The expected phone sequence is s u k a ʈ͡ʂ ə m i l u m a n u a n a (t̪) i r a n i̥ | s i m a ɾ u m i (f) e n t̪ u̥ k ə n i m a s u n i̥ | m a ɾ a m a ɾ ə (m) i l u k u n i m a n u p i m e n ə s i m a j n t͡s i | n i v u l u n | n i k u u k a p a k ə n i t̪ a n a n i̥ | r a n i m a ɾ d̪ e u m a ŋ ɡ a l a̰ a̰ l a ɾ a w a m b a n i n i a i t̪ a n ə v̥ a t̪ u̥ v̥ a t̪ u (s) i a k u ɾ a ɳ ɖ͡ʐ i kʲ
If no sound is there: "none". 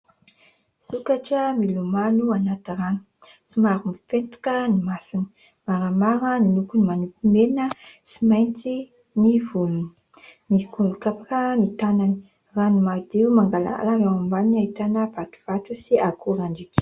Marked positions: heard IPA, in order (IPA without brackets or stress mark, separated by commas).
t̪, f, n, s